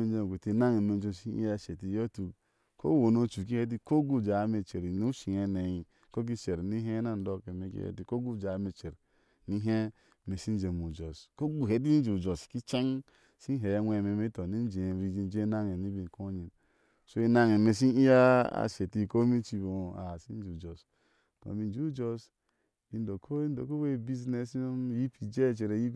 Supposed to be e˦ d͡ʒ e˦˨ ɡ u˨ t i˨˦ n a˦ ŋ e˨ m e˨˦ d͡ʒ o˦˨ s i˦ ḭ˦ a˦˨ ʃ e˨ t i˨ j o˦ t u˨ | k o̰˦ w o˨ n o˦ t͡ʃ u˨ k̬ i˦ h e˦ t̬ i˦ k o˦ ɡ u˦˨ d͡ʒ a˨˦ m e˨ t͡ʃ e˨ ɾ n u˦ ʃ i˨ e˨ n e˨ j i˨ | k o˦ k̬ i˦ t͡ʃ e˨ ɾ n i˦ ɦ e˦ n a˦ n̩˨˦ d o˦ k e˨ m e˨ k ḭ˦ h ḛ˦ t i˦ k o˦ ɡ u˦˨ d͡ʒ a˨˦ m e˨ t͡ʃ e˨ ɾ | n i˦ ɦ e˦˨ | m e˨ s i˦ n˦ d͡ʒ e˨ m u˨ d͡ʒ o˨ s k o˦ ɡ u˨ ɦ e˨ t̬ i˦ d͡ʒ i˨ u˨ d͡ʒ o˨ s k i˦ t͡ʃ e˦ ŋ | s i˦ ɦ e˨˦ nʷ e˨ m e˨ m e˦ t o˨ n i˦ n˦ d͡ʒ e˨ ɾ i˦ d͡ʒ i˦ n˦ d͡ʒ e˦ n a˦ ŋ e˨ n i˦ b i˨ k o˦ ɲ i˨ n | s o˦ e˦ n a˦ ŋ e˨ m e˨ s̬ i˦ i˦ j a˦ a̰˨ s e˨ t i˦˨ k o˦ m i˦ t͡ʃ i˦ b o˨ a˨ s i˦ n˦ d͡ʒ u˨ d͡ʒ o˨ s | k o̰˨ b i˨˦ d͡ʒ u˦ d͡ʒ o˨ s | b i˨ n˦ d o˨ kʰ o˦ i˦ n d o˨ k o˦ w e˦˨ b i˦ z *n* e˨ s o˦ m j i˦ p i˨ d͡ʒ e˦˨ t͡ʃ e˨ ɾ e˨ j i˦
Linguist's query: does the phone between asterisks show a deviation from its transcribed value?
no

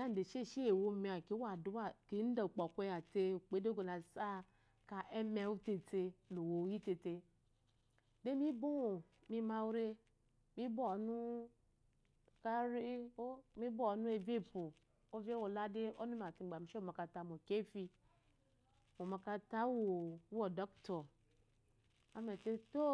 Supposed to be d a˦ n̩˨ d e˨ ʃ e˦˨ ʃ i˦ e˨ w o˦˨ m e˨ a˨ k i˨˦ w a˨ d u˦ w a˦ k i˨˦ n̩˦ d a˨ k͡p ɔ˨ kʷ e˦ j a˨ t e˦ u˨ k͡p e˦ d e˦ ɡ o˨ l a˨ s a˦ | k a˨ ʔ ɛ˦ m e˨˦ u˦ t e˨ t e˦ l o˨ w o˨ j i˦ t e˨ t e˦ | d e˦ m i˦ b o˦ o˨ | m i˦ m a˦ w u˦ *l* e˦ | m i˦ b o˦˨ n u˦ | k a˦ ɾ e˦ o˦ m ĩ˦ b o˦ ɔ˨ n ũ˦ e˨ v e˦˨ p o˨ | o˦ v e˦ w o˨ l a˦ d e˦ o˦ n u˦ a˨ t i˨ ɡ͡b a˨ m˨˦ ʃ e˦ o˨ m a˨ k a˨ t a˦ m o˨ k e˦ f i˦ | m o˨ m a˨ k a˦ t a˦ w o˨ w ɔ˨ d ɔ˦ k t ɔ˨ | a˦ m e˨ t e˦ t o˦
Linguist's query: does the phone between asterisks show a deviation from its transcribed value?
yes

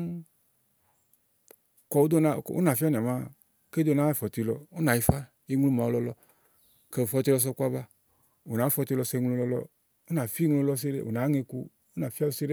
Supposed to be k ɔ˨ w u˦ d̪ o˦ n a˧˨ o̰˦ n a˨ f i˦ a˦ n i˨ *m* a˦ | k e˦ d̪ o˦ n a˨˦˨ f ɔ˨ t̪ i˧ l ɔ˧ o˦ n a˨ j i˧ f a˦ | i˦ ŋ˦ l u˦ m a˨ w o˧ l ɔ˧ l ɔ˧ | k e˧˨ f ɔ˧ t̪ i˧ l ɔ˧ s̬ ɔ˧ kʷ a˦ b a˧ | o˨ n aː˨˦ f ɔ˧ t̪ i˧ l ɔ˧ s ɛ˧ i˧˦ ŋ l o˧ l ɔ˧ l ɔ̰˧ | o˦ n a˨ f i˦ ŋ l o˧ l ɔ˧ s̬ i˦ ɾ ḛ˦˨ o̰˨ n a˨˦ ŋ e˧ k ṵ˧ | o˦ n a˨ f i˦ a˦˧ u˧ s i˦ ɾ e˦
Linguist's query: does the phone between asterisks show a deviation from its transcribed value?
no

